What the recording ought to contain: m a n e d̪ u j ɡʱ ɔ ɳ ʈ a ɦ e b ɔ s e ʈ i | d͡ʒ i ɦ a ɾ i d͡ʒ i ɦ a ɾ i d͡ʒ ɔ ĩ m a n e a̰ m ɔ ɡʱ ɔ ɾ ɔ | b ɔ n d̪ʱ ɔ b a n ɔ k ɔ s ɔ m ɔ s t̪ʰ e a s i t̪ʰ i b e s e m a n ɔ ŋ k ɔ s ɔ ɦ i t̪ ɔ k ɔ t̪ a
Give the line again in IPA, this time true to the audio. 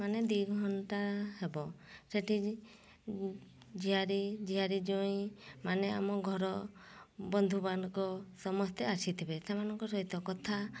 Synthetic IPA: m a n e d̪ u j ɡʱ ɔ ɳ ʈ a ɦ e b ɔ s e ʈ i | d͡ʒ i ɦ a ɾ i d͡ʒ i ɦ a ɾ i d͡ʒ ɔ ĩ m a n e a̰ m ɔ ɡʱ ɔ ɾ ɔ | b ɔ n d̪ʱ u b a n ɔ k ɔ s ɔ m ɔ s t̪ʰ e a s i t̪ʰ i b e s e m a n ɔ ŋ k ɔ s ɔ ɦ i t̪ ɔ k ɔ t̪ʰ a